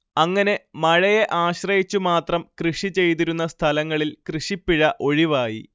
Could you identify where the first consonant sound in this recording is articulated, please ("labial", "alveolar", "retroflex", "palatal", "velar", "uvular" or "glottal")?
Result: velar